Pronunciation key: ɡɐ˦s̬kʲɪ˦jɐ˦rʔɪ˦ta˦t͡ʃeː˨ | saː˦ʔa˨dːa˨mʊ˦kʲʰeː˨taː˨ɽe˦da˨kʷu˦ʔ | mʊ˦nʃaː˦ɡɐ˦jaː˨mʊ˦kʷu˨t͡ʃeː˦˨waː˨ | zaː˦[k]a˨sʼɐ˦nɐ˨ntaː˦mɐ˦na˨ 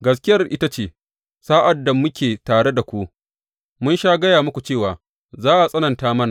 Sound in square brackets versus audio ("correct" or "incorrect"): incorrect